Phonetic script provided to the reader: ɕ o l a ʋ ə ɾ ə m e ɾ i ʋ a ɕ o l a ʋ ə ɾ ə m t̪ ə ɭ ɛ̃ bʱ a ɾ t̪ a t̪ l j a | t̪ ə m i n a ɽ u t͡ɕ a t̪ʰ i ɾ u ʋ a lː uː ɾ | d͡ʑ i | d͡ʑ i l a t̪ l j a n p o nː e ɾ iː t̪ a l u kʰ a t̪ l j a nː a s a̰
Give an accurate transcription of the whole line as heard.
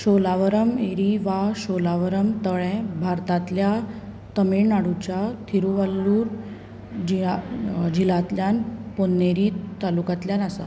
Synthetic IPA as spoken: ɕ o l a ʋ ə ɾ ə m e ɾ i ʋ a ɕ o l a ʋ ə ɾ ə m t̪ ə ɭ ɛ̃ bʱ a ɾ t̪ a t̪ l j a | t̪ ə m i n a ɽ u t͡ɕ a t̪ʰ i ɾ u ʋ a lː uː ɾ | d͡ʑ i | d͡ʑ i l a t̪ l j a n p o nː e ɾ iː t̪ a l u k a t̪ l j a n a s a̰

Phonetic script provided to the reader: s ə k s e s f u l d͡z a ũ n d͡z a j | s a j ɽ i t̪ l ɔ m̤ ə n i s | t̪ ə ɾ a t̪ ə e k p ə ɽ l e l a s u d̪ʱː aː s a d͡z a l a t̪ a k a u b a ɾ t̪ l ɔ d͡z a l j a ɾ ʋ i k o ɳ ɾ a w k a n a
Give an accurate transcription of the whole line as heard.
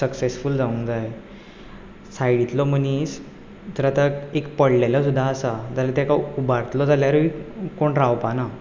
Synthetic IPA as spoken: s ə k s e s f u l d͡z a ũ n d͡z a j | s a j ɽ i t̪ l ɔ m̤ ə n i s | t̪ ə ɾ a t̪ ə e k p ə ɽ l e l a s u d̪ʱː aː s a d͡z a l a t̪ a k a u b a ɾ t̪ l ɔ d͡z a l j a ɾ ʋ i k o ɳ ɾ a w p a n a

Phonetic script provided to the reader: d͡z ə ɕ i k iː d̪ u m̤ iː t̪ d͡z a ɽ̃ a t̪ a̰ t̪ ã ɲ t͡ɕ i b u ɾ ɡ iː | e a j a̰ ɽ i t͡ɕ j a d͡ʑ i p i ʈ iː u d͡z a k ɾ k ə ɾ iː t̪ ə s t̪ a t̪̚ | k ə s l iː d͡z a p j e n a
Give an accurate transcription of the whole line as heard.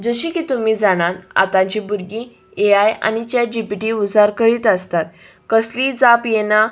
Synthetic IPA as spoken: d͡z ə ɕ i k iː t̪ u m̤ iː d͡z a ɽ̃ a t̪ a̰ t̪ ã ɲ t͡ɕ i b u ɾ ɡ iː | e a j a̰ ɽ i t͡ɕ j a d͡ʑ i p i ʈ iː u d͡z a ɾ k ə ɾ iː t̪ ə s t̪ a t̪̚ | k ə s l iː d͡z a p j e n a

